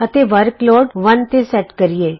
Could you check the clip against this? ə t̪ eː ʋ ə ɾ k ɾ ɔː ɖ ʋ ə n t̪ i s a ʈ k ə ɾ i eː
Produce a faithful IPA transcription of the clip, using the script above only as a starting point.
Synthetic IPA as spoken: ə t̪ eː ʋ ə ɾ k l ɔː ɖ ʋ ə n t̪ e s ɛ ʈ k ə ɾ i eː

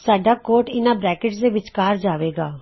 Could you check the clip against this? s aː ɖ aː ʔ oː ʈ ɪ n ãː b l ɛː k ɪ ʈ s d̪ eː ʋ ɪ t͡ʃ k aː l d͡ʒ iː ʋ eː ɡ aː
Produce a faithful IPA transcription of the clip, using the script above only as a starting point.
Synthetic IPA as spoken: s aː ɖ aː k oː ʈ ɪ n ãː b ɾ ɛː k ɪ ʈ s d̪ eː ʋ ɪ t͡ʃ k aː ɾ d͡ʒ aː ʋ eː ɡ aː

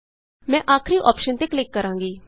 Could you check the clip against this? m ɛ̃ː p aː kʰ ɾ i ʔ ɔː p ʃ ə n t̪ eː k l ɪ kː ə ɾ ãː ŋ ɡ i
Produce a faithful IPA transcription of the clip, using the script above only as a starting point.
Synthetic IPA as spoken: m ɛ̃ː ʔ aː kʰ ɾ i ʔ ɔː p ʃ ə n t̪ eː k l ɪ kː ə ɾ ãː ŋ ɡ iː

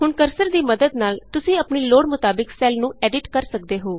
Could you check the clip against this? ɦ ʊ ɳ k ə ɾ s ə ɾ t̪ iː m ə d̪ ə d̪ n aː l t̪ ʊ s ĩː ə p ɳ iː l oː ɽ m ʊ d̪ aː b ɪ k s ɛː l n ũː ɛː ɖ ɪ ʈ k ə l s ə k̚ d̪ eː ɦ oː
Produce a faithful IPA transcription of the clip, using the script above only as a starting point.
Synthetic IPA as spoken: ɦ ʊ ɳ k ə ɾ s ə ɾ d̪ iː m ə d̪ ə d̪ n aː l t̪ ʊ s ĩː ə p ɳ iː l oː ɽ m ʊ t̪ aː b ɪ k s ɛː l n ũː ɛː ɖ ɪ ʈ k ə ɾ s ə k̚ d̪ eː ɦ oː

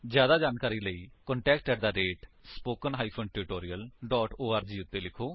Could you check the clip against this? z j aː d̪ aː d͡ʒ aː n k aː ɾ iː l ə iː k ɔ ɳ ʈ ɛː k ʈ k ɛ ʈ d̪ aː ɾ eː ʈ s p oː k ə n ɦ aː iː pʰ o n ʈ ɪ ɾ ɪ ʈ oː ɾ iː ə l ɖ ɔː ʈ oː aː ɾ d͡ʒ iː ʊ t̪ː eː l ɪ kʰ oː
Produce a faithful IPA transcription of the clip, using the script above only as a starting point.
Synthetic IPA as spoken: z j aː d̪ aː d͡ʒ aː n k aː ɾ iː l ə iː k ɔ ɳ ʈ ɛː k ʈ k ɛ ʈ d̪ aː ɾ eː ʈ s p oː k ə n ɦ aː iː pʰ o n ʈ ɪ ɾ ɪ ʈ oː ɾ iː ə l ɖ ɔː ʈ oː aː ɾ d͡ʒ iː ʊ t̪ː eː l ɪ kʰ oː

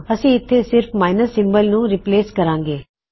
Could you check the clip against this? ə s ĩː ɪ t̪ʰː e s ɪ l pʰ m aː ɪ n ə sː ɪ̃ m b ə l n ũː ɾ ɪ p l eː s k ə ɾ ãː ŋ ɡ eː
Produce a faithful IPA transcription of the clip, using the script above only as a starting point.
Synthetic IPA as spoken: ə s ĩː ɪ t̪ʰː e s ɪ ɾ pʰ m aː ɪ n ə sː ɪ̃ m b ə l n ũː ɾ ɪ p l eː s k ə ɾ ãː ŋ ɡ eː

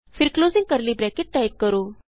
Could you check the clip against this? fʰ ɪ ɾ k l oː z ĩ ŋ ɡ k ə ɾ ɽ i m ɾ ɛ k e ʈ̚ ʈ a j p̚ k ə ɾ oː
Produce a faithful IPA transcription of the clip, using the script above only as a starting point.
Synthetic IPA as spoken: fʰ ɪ ɾ k l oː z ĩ ŋ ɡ k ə ɾ l i b ɾ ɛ k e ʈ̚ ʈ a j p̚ k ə ɾ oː

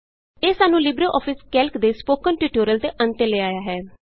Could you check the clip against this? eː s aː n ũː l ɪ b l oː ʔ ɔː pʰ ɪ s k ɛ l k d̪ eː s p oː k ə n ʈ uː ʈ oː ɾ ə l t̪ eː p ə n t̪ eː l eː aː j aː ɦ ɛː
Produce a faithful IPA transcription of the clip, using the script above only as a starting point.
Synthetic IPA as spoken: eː s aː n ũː l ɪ b ɾ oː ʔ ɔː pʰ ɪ s k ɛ l k d̪ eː s p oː k ə n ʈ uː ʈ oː ɾ ə l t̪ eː ʔ ə n t̪ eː l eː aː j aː ɦ ɛː

